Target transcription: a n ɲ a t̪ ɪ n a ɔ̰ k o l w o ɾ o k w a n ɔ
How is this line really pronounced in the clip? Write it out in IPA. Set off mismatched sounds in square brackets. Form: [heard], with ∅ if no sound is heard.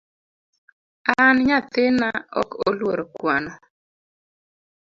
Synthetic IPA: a n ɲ a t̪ ɪ n a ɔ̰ k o l w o ɾ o k w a n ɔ

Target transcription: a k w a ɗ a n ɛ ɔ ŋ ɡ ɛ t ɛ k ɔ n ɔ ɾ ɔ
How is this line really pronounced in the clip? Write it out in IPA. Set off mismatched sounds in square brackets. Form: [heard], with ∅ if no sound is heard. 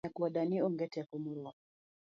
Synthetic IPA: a k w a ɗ a n [i] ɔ ŋ ɡ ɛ t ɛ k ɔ [m] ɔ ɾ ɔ

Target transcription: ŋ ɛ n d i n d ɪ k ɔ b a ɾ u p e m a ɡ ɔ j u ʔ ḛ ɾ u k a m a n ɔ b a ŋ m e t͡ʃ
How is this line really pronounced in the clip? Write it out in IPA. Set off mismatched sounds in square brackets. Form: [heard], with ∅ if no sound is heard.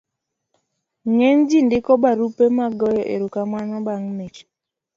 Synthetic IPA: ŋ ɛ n [d͡ʒ] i n d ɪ k ɔ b a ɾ u p e m a ɡ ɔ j [ɔ] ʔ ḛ ɾ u k a m a n ɔ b a ŋ m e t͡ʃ

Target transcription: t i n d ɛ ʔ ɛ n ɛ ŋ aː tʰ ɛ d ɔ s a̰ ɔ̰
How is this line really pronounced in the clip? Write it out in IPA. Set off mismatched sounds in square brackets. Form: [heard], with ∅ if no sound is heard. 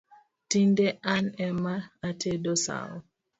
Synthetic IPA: t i n d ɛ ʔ [a] n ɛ [m] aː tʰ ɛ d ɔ s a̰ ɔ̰

